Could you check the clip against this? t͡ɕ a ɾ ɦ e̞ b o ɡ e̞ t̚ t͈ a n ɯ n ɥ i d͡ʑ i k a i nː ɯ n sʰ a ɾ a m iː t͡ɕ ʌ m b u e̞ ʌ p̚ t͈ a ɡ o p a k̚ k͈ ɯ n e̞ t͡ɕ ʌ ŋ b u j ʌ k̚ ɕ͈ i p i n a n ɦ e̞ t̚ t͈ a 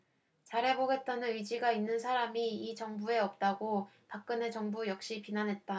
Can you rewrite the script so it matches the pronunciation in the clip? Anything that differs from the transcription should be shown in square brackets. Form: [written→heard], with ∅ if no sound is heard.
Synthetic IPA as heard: t͡ɕ a ɾ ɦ e̞ b o ɡ e̞ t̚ t͈ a n ɯ n ɥ i d͡ʑ i [k→ɡ] a i nː ɯ n sʰ a ɾ a m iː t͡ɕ ʌ [m→ŋ] b u e̞ ʌ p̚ t͈ a ɡ o p a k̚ k͈ ɯ n e̞ t͡ɕ ʌ ŋ b u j ʌ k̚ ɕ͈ i p i n a n ɦ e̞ t̚ t͈ a